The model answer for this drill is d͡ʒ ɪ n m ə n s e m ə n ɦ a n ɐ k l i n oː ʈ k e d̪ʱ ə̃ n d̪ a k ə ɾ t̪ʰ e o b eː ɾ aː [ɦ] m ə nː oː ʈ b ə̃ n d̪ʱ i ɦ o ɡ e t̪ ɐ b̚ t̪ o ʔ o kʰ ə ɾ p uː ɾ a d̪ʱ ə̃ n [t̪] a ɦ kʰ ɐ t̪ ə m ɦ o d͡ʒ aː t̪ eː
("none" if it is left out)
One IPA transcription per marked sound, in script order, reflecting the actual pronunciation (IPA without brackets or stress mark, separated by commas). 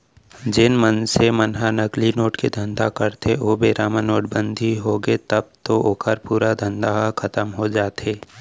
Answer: none, d̪